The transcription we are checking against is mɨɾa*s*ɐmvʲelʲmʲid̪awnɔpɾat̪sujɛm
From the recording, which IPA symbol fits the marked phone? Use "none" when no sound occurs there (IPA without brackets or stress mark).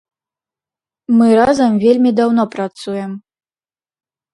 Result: z